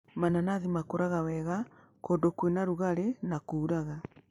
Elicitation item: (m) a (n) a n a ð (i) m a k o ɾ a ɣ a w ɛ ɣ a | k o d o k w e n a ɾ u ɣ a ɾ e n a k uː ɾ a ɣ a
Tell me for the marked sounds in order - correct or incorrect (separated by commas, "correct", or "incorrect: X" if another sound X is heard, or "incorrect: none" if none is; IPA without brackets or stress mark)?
correct, correct, correct